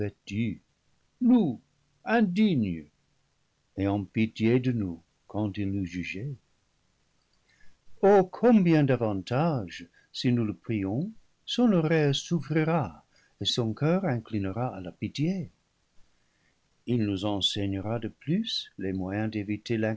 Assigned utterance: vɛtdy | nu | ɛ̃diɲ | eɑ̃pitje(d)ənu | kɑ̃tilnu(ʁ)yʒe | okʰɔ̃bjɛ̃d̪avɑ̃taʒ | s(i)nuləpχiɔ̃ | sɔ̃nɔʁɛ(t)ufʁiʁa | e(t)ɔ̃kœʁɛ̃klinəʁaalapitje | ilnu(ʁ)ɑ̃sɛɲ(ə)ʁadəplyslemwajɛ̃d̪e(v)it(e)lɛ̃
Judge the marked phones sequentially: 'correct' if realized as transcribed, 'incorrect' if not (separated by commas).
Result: correct, incorrect, correct, incorrect, incorrect, incorrect, correct, correct, correct